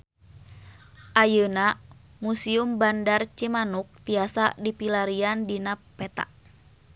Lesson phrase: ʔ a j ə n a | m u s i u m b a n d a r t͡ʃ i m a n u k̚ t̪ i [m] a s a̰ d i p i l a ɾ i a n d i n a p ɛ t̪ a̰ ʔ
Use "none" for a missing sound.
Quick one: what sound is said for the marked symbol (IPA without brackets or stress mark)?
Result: none